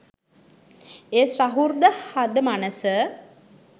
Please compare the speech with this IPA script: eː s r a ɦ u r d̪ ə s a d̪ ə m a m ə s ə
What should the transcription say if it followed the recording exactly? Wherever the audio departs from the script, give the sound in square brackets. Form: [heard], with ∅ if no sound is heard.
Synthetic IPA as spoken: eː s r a ɦ u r d̪ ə [h] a d̪ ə m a [n] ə s ə